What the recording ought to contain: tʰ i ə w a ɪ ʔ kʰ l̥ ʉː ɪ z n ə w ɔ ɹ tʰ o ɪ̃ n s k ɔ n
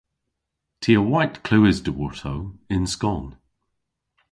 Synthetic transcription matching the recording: tʰ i ə w a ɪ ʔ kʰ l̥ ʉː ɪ z d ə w ɔ ɹ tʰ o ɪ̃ n s k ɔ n